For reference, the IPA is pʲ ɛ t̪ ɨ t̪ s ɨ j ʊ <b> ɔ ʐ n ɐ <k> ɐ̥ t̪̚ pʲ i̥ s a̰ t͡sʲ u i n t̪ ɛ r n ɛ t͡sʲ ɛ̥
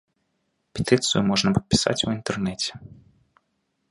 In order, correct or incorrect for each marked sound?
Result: incorrect: m, incorrect: p

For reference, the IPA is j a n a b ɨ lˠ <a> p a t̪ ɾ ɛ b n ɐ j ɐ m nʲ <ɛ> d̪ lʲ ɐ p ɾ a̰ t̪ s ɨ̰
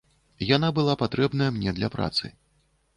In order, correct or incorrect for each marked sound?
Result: correct, correct

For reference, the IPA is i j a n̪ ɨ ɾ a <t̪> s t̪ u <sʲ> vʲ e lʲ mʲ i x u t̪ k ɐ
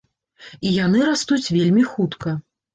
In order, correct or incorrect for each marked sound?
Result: incorrect: none, incorrect: t͡sʲ

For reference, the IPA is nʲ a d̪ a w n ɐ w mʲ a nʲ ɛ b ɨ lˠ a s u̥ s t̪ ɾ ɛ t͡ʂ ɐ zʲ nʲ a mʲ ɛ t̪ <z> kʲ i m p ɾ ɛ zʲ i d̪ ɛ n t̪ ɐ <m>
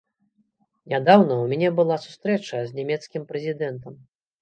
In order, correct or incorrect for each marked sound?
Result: incorrect: s, correct

